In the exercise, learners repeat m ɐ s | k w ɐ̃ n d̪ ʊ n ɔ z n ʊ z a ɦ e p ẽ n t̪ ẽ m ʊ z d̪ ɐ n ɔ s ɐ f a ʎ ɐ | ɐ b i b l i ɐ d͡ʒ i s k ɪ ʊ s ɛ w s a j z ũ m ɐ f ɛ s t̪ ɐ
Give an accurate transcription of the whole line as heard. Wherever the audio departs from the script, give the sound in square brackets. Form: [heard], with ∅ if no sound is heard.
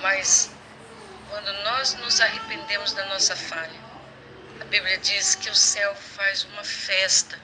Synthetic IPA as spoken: m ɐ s | k w ɐ̃ n d̪ ʊ n ɔ z n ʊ z a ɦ e p ẽ n [d̪] ẽ m ʊ z d̪ ɐ n ɔ s ɐ f a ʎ ɐ | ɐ b i b l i ɐ d͡ʒ i s k ɪ ʊ s ɛ w [f] a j z ũ m ɐ f ɛ s t̪ ɐ